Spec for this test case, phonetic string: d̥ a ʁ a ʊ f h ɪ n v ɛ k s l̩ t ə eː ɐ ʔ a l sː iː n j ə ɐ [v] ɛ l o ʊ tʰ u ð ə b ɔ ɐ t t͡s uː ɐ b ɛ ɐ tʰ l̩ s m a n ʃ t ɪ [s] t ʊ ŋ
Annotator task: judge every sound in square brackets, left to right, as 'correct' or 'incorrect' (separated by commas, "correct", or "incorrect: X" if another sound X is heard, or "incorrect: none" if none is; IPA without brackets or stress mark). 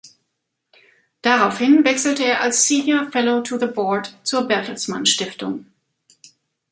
incorrect: f, incorrect: f